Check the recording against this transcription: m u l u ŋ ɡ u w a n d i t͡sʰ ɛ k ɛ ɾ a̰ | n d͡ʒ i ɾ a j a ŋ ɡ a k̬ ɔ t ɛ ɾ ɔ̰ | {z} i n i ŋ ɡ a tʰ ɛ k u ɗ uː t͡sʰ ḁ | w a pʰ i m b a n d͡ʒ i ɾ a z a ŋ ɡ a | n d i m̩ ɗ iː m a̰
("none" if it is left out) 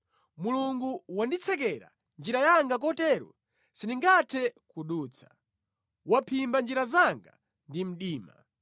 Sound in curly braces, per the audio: s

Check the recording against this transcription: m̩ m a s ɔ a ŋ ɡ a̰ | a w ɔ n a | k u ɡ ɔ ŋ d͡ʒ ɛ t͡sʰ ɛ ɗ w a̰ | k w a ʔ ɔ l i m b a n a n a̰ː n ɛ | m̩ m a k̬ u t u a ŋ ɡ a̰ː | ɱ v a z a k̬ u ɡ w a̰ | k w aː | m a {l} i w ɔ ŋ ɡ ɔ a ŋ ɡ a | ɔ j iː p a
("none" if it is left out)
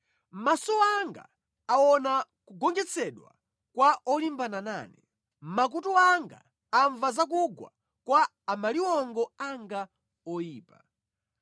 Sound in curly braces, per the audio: l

